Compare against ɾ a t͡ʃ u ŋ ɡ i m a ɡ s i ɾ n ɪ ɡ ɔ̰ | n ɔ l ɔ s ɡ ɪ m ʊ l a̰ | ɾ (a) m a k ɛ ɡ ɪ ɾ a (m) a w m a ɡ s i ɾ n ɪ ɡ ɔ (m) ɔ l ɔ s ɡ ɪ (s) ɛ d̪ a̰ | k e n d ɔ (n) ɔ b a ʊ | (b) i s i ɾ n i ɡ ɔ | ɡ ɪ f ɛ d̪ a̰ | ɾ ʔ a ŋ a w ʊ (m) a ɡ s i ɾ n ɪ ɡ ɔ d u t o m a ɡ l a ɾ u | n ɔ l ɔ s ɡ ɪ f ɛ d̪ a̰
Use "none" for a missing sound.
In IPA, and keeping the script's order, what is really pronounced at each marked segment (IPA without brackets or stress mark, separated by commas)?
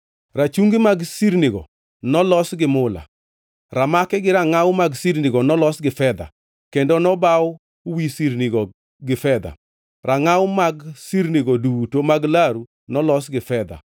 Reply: a, ŋ, n, f, n, w, m